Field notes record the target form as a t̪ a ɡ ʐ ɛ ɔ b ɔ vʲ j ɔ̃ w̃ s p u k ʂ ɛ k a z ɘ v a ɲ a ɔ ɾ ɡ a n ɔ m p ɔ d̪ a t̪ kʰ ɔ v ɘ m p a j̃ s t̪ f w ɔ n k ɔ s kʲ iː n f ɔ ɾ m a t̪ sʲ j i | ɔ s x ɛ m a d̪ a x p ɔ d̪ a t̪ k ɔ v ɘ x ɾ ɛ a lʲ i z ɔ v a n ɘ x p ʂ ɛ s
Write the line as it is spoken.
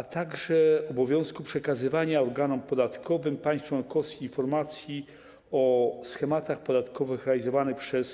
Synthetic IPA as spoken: a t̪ a ɡ ʐ ɛ ɔ b ɔ vʲ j ɔ̃ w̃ s k u p ʂ ɛ k a z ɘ v a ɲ a ɔ ɾ ɡ a n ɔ m p ɔ d̪ a t̪ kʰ ɔ v ɘ m p a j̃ s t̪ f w ɔ n k ɔ s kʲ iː n f ɔ ɾ m a t̪ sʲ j i | ɔ s x ɛ m a t̪ a x p ɔ d̪ a t̪ k ɔ v ɘ x ɾ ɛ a lʲ i z ɔ v a n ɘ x p ʂ ɛ s